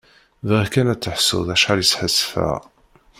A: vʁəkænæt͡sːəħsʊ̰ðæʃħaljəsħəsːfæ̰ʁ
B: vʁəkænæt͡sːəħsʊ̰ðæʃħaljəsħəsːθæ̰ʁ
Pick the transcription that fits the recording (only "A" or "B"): A